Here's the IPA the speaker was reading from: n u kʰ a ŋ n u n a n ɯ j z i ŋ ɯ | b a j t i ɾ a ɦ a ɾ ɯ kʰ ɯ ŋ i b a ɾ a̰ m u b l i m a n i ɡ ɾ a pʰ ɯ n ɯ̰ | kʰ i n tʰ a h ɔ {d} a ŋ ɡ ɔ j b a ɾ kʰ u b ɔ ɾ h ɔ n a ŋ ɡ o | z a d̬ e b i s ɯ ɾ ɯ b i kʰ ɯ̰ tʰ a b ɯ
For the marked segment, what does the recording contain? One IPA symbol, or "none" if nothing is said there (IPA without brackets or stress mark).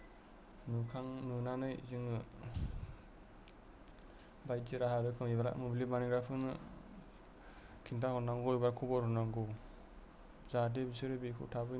n